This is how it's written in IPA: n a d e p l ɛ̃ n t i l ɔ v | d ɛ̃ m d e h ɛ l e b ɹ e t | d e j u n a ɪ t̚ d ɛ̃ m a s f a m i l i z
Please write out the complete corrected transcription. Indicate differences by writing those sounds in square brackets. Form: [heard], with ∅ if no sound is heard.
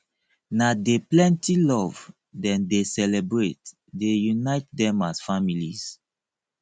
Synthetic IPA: n a d e p l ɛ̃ n t i l ɔ v | d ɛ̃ [n] d e [s] ɛ l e b ɹ e t | d e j u n a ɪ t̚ d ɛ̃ m a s f a m i l i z